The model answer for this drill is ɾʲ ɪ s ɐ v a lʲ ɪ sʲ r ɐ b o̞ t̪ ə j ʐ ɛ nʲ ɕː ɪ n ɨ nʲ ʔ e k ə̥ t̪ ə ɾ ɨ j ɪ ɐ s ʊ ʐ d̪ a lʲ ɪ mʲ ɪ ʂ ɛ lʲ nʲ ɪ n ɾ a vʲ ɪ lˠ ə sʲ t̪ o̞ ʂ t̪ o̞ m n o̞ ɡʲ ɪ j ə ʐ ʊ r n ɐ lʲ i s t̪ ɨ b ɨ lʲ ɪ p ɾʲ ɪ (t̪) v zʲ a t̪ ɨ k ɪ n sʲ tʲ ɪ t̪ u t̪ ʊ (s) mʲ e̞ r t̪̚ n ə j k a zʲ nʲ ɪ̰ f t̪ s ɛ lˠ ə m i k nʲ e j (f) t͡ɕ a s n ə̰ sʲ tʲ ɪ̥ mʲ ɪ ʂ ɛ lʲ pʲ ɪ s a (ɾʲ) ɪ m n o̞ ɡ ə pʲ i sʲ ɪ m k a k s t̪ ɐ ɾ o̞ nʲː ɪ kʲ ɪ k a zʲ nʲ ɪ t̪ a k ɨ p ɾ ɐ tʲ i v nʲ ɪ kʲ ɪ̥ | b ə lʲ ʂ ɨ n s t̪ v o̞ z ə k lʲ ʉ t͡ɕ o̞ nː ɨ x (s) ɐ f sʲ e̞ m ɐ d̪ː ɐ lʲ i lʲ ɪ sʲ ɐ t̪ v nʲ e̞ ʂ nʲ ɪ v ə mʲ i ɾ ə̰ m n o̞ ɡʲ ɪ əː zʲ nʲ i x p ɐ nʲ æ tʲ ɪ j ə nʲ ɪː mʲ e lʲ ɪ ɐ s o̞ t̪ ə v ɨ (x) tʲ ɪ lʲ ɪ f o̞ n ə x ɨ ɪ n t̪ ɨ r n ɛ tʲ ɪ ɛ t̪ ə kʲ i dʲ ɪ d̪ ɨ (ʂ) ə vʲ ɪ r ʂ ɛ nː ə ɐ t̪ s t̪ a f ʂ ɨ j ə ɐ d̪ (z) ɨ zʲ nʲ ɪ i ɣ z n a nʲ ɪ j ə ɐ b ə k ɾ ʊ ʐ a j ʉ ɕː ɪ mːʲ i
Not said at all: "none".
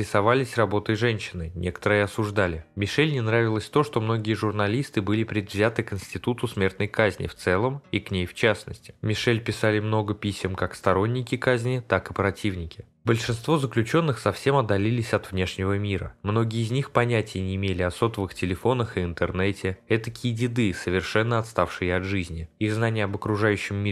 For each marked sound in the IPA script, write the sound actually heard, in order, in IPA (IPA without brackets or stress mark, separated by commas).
d̪, s, f, lʲ, s, x, s, ʐ